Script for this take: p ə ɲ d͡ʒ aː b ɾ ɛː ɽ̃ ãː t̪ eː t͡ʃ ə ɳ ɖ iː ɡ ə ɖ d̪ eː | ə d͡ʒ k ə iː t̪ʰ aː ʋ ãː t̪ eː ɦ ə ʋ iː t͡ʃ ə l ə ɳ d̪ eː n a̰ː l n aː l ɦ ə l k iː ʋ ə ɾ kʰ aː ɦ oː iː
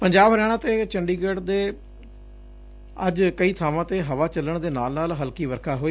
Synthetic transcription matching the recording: p ə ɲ d͡ʒ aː b ɾ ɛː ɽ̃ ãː t̪ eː t͡ʃ ə ɳ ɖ iː ɡ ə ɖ d̪ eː | ə d͡ʒ k ə iː t̪ʰ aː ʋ ãː t̪ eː ɦ ə ʋ aː t͡ʃ ə l ə ɳ d̪ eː n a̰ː l n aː l ɦ ə l k iː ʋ ə ɾ kʰ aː ɦ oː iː

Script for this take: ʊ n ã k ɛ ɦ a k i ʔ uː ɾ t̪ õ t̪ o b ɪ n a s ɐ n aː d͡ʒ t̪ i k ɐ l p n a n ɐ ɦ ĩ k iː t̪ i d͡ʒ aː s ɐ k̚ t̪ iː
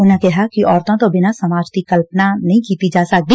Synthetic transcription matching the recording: ʊ n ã k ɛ ɦ a k i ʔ ɔː ɾ t̪ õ t̪ o b ɪ n a s ɐ m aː d͡ʒ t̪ i k ɐ l p n a n ɐ ɦ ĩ k iː t̪ i d͡ʒ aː s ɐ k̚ d̪ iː

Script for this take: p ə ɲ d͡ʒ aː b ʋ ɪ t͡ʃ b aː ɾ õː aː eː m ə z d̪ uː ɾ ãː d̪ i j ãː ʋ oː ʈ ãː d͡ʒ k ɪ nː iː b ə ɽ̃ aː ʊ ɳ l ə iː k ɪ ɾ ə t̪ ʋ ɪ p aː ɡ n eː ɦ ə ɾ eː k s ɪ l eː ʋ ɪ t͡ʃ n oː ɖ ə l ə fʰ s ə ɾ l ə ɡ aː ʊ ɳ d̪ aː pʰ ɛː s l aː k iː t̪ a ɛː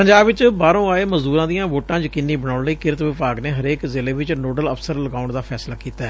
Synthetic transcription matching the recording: p ə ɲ d͡ʒ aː b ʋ ɪ t͡ʃ b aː ɾ õː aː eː m ə z d̪ uː ɾ ãː d̪ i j ãː ʋ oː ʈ ãː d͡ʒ k ɪ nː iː b ə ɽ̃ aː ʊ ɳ l ə iː k ɪ ɾ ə t̪ ʋ ɪ p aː ɡ n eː ɦ ə ɾ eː k z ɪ l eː ʋ ɪ t͡ʃ n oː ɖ ə l ə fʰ s ə ɾ l ə ɡ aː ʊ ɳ d̪ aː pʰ ɛː s l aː k iː t̪ a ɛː

